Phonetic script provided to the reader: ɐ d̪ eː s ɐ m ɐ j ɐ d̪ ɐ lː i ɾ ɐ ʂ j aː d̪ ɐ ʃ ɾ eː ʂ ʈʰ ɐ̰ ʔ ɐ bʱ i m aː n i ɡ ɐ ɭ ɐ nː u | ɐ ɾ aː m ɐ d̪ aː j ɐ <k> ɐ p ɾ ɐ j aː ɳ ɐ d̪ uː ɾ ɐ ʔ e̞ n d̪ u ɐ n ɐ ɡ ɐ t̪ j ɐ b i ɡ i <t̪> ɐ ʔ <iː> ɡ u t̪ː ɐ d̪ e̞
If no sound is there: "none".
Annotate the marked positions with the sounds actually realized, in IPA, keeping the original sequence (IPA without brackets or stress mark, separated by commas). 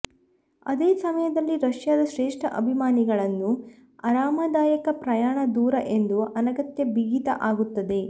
k, t̪, aː